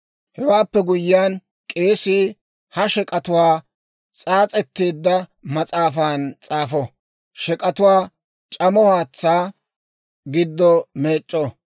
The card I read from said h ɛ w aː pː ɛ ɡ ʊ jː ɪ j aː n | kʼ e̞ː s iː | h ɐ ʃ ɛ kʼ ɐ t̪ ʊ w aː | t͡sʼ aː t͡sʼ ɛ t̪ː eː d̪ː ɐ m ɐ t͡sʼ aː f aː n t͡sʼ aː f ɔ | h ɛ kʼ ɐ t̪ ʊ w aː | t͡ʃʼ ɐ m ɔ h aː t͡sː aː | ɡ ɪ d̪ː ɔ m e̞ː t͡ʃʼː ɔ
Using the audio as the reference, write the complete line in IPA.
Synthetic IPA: h ɛ w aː pː ɛ ɡ ʊ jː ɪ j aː n | kʼ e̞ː s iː | h ɐ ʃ ɛ kʼ ɐ t̪ ʊ w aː | t͡sʼ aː t͡sʼ ɛ t̪ː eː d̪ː ɐ m ɐ t͡sʼ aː f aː n t͡sʼ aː f ɔ | ʃ ɛ kʼ ɐ t̪ ʊ w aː | t͡ʃʼ ɐ m ɔ h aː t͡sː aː | ɡ ɪ d̪ː ɔ m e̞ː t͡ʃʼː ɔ